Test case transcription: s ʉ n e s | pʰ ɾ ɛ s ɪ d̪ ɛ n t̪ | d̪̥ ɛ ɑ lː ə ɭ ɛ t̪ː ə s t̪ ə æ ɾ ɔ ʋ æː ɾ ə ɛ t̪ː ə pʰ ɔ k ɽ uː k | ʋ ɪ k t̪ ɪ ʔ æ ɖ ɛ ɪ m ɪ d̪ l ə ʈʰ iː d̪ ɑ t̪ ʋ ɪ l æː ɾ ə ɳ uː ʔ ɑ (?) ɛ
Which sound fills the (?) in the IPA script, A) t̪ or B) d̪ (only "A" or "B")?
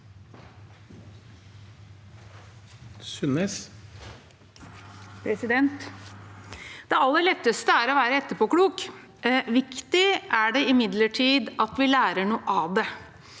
B